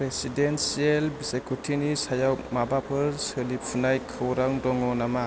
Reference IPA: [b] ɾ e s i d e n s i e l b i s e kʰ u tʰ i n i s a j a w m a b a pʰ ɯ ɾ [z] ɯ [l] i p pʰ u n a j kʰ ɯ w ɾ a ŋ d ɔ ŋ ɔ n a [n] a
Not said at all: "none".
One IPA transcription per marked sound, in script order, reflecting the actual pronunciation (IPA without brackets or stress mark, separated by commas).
p, s, l, m